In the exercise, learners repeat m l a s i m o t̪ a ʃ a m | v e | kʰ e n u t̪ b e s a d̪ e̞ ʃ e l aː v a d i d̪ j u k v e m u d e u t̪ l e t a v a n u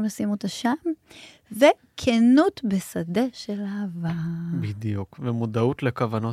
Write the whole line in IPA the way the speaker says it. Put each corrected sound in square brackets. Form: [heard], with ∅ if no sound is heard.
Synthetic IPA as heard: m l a s i m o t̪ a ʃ a m | v e | kʰ e n u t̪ b e s a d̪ e̞ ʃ e l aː v a [b] i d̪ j u k v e m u d [a] u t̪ l e [k] a v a n [o]